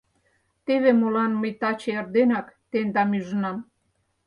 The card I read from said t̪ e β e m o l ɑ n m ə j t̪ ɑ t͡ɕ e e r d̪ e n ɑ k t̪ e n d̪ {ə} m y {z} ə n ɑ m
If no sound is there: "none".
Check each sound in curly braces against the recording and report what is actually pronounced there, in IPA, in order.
ɑ, ʒ

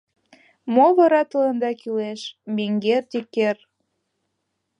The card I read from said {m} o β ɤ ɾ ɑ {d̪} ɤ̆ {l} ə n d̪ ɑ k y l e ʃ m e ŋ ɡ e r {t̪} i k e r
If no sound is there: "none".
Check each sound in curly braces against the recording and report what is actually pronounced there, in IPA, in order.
m, t̪, l, t̪

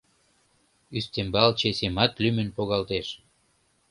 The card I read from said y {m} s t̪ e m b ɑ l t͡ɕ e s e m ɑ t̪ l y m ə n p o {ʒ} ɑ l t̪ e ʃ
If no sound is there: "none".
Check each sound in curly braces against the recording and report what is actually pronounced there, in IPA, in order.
none, ɣ

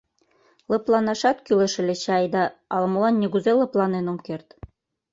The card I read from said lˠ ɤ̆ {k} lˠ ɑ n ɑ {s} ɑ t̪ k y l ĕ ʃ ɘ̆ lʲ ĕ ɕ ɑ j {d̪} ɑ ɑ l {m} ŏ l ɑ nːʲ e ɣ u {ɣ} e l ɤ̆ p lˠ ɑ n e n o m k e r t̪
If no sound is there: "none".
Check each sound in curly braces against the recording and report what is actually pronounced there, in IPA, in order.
p, ʃ, d̪, m, z

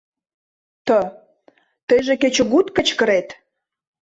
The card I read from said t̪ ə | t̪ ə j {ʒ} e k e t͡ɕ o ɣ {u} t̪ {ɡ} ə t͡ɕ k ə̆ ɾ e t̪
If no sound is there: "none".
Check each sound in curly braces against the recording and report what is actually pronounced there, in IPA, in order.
ʒ, u, k

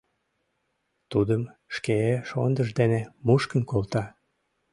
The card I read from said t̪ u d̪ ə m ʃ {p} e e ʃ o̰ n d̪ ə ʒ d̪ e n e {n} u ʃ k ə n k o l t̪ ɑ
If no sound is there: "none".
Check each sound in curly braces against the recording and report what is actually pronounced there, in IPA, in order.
k, m

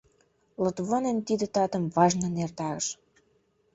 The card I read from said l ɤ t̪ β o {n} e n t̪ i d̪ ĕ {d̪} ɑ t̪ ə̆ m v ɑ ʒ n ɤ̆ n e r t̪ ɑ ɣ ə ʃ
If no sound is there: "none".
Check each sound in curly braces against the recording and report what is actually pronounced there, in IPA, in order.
n, t̪

